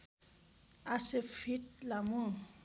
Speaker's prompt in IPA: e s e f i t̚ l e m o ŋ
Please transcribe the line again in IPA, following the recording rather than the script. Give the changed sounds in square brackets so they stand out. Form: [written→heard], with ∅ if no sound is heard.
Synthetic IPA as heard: [e→a] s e f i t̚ l [e→a] m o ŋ